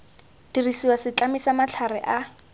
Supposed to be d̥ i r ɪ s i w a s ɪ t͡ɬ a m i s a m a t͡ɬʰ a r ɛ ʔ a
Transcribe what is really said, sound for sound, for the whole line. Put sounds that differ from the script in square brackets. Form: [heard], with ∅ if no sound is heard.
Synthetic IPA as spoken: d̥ i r [i] s i w a s ɪ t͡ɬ a m i s a m a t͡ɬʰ a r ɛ ʔ a